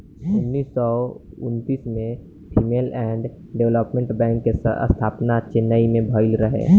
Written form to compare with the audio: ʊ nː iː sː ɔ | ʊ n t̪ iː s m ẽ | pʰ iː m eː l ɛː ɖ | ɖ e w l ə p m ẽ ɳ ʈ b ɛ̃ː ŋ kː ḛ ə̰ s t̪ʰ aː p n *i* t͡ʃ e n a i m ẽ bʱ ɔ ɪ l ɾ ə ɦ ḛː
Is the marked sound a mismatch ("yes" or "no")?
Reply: yes